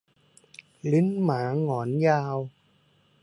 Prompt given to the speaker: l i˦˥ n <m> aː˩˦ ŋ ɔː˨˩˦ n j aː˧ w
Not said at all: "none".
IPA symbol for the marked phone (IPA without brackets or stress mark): m